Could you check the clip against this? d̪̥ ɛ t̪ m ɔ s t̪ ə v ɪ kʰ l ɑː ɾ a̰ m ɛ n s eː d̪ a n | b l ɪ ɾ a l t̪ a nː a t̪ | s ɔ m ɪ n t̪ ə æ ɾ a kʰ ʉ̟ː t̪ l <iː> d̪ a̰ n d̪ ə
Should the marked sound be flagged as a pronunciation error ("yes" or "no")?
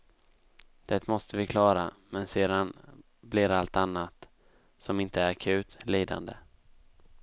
no